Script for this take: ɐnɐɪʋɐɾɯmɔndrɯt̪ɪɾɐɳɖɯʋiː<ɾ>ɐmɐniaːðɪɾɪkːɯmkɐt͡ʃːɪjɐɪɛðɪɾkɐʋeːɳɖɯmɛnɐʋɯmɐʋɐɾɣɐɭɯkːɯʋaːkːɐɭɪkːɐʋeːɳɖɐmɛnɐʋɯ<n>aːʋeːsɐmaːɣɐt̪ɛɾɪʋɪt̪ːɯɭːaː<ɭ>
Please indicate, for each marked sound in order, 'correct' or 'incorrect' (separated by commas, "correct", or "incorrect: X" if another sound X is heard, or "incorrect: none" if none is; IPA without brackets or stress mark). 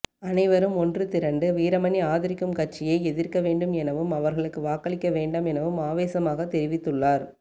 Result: correct, incorrect: m, incorrect: ɾ